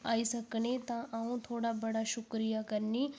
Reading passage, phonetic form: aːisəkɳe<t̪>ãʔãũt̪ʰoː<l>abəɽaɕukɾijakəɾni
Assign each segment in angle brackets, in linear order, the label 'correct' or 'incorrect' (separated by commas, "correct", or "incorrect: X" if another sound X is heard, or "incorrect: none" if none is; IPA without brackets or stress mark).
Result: correct, incorrect: ɽ